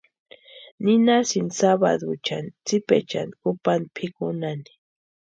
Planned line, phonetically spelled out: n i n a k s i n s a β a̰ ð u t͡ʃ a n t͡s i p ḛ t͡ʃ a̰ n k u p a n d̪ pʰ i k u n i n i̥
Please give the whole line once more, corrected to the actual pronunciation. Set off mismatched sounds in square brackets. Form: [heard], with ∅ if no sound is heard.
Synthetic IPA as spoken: n i n a [∅] s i n s a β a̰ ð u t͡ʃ a n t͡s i p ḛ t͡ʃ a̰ n k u p a n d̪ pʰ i k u n [a] n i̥